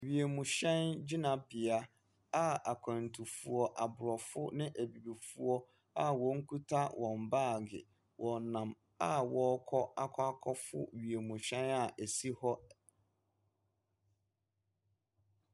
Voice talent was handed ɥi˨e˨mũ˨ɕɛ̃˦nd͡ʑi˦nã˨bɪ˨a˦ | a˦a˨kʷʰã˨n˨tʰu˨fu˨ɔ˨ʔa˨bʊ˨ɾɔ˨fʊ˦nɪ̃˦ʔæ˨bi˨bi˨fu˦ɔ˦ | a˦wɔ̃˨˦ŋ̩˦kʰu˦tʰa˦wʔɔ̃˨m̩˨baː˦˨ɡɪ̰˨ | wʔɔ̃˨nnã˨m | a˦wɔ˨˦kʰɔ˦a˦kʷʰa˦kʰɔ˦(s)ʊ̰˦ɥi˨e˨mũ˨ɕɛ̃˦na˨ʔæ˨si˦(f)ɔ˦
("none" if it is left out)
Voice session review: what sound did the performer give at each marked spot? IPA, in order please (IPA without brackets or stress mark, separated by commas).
f, h